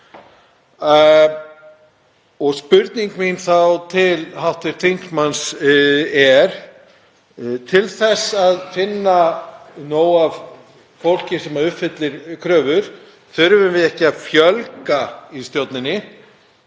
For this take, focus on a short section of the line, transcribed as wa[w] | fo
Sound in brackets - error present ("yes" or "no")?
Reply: yes